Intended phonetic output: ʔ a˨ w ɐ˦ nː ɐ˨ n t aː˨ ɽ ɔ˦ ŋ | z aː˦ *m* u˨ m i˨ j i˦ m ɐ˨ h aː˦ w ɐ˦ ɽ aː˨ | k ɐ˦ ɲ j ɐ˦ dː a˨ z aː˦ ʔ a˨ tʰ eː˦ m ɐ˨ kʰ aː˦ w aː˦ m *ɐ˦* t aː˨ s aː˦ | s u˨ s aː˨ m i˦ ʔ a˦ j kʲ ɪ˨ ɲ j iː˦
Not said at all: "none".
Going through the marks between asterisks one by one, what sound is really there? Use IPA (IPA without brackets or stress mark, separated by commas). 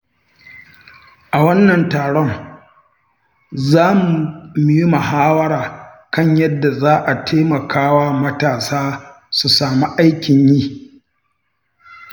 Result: m, ɐ˦